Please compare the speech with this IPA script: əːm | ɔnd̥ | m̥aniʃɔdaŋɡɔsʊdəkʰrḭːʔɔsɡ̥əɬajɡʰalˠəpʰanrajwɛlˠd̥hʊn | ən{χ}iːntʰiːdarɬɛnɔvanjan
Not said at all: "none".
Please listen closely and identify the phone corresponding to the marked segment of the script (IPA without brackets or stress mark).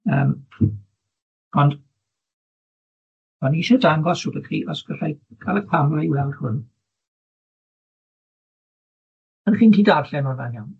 χ